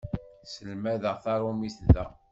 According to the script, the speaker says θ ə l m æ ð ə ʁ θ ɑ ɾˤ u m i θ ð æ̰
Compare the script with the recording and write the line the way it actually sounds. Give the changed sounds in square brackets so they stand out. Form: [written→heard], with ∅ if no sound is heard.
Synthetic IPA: [θ→s] ə l m æ ð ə ʁ θ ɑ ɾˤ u m i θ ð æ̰